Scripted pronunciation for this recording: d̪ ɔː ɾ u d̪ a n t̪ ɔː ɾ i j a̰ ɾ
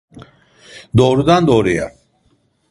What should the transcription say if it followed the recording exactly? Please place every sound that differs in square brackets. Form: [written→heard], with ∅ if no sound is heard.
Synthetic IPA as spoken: d̪ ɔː ɾ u d̪ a n [t̪→d̪] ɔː ɾ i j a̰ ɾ